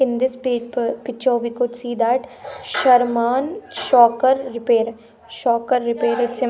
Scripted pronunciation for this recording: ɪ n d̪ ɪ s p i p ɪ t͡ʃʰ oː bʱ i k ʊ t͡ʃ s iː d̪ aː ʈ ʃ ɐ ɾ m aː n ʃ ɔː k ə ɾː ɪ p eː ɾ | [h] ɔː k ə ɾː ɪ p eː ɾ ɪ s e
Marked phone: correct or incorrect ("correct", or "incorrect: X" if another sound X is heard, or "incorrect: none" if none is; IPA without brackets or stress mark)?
incorrect: ʃ